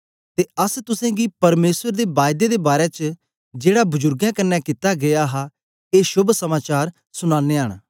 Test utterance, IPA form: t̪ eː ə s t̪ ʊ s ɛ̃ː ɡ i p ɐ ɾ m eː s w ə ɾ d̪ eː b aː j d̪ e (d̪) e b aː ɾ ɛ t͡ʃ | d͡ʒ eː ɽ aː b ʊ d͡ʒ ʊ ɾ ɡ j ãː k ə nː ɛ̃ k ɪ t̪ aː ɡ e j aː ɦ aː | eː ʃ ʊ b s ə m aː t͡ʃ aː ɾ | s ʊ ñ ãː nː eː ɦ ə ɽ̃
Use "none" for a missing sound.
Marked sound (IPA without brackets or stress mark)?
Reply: d̪